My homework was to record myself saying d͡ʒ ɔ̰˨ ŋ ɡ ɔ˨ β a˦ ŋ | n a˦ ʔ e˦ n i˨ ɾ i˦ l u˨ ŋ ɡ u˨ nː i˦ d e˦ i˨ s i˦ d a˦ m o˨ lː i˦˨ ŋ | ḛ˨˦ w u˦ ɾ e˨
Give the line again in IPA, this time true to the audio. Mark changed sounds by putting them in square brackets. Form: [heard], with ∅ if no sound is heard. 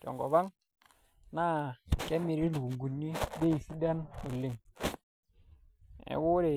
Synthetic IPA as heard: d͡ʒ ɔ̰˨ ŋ ɡ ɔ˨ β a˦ ŋ | n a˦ [k] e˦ [m] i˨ ɾ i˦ l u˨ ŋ ɡ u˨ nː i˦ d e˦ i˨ s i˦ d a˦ [n] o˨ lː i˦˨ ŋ | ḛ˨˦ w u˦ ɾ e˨